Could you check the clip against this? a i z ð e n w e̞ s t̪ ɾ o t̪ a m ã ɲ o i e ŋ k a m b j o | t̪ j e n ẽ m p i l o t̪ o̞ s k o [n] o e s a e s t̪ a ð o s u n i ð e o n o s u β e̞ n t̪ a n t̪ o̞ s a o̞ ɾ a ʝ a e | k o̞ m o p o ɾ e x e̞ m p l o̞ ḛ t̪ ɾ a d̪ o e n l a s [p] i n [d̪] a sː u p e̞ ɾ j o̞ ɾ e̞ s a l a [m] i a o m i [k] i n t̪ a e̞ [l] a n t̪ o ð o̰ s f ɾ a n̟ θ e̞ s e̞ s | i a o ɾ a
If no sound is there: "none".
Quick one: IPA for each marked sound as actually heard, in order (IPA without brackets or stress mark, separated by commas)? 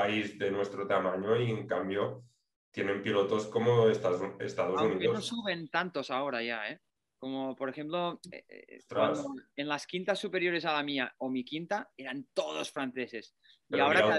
m, k, t̪, m, k, ɾ